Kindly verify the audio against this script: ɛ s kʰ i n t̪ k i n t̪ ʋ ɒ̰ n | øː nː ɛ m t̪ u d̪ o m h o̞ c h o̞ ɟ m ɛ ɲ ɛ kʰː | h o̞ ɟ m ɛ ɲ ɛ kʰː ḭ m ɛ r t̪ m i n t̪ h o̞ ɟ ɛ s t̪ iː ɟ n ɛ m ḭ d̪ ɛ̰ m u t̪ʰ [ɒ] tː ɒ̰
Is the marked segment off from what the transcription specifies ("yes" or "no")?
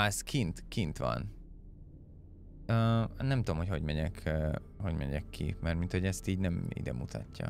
no